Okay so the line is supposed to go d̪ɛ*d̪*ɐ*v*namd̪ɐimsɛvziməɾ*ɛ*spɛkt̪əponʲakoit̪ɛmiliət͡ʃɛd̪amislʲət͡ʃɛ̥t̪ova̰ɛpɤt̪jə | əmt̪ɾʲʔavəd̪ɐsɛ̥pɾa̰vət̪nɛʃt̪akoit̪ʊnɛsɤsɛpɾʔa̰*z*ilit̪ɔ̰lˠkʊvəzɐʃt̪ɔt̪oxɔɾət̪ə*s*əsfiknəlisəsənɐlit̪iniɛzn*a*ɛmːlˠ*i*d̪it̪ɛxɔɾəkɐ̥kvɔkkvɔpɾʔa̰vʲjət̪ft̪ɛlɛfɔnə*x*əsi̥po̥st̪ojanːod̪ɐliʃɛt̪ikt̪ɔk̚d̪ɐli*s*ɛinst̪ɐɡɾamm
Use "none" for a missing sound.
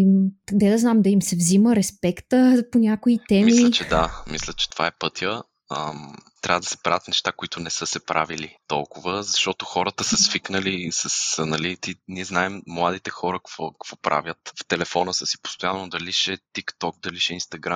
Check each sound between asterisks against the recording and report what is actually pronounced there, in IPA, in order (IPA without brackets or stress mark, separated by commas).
d̪, z, ɛ, v, s, a, a, s, ʃ